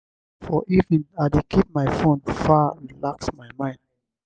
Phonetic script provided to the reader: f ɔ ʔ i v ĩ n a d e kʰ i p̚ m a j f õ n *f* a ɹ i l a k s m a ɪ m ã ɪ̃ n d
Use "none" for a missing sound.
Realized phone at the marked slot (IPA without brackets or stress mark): f